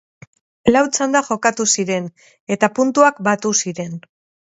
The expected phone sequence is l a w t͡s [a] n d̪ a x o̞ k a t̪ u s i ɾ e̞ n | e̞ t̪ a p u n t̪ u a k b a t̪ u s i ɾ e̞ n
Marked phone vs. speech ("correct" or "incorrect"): correct